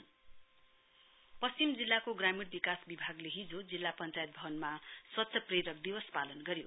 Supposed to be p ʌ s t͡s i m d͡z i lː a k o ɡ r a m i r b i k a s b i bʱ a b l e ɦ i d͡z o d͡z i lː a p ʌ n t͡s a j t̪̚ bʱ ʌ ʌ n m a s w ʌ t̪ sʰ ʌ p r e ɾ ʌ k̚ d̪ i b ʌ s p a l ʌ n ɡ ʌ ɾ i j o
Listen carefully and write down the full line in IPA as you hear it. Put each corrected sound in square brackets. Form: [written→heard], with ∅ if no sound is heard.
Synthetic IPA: p ʌ s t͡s i m d͡z i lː a k o ɡ r a m i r b i k a s b i bʱ a [b→ɡ] l e ɦ i d͡z o d͡z i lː a p ʌ n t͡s a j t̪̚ bʱ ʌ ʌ n m a s w ʌ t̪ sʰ ʌ p r e ɾ ʌ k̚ d̪ i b ʌ s p a l ʌ n ɡ ʌ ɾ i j o